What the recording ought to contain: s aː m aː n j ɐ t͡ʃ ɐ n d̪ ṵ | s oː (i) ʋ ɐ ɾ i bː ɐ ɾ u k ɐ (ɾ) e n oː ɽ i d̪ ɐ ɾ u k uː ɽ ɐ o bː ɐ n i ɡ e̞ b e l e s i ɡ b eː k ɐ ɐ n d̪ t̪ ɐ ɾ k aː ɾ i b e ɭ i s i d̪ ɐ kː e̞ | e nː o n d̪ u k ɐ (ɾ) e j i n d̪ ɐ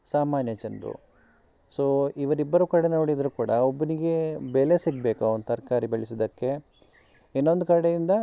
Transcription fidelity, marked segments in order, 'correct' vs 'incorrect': correct, incorrect: ɽ, incorrect: ɽ

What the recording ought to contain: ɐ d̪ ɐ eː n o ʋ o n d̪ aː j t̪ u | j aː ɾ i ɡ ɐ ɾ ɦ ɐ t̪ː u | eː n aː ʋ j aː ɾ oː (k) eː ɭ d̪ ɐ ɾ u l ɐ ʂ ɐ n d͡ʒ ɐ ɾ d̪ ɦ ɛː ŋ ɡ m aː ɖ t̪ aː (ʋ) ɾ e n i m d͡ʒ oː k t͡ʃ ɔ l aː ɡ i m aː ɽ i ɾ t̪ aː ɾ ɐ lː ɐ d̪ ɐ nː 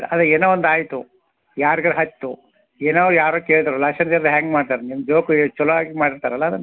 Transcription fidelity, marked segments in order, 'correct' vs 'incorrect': correct, incorrect: none

